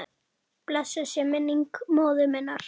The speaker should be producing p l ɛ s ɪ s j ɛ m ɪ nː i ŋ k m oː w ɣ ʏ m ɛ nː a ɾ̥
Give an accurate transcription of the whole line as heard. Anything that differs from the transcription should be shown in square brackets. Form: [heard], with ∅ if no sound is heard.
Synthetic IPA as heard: p l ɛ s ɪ s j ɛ m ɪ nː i ŋ k m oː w [ð] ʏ m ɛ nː a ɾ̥